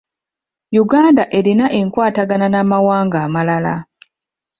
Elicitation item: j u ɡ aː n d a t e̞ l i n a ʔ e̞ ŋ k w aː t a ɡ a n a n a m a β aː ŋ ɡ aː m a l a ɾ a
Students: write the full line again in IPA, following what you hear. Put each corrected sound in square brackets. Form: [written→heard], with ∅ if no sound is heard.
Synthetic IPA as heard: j u ɡ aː n d a [t→ʔ] e̞ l i n a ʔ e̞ ŋ k w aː t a ɡ a n a n a m a [β→w] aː ŋ ɡ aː m a l a [ɾ→l] a